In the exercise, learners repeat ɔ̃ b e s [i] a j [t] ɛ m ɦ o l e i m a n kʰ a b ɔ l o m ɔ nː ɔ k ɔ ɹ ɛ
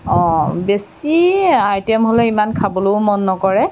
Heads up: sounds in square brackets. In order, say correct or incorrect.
correct, correct

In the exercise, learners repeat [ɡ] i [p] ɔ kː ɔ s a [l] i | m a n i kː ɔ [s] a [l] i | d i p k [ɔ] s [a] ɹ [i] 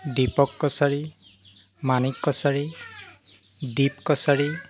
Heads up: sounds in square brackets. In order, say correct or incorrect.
incorrect: d, correct, incorrect: ɹ, correct, incorrect: ɹ, correct, correct, correct

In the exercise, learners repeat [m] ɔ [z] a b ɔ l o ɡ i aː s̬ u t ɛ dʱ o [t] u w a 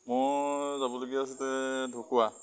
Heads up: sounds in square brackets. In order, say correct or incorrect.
correct, correct, incorrect: k

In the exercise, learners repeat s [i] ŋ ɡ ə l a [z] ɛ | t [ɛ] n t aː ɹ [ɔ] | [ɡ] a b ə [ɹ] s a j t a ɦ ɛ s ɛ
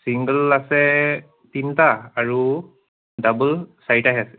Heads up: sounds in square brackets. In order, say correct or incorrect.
correct, incorrect: s, incorrect: i, incorrect: u, incorrect: d, incorrect: l

